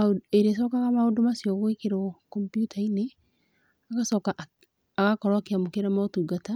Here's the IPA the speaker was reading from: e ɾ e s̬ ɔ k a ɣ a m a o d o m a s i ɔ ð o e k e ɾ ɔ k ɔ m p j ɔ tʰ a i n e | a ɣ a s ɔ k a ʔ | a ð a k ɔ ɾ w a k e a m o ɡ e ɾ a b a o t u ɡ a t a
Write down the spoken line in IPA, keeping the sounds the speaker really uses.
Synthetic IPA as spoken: e ɾ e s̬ ɔ k a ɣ a m a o d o m a s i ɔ ɣ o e k e ɾ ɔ k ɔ m p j u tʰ a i n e | a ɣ a s ɔ k a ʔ | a ɣ a k ɔ ɾ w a k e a m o k e ɾ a m a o t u ɡ a t a